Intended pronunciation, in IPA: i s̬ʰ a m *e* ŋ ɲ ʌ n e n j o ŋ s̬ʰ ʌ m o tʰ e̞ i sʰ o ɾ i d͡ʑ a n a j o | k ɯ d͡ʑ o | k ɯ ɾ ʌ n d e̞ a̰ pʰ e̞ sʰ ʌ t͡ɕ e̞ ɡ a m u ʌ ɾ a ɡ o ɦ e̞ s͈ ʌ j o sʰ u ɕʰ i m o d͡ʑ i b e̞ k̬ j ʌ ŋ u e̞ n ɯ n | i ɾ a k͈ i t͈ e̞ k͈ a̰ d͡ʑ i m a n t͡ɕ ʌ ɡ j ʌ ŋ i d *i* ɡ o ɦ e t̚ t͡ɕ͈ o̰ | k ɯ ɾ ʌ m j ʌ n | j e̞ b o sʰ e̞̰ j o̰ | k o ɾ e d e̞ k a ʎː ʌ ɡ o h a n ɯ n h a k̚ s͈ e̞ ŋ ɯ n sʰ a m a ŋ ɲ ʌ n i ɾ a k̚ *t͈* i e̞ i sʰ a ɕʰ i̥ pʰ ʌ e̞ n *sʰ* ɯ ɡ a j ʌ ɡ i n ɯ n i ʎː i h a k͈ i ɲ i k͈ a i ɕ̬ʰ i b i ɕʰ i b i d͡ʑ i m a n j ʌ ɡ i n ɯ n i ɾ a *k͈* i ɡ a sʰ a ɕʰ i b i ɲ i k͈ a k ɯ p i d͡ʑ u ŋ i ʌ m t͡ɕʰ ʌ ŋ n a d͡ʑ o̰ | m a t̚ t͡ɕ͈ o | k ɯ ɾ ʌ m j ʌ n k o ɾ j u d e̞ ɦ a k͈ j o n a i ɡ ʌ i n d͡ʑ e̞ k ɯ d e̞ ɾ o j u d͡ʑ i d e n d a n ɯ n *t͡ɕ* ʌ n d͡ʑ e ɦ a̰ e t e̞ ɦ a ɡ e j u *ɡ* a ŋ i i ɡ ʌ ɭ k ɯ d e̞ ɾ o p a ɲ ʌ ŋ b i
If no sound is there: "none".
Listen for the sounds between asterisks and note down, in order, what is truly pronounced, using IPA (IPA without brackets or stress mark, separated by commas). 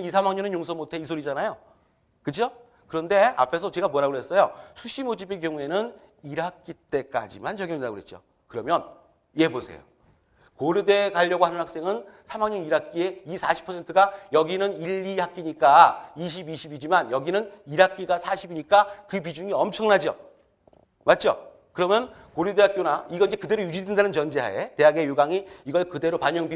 a, a, k͈, tʰ, k͈, t͡ɕ, ɡ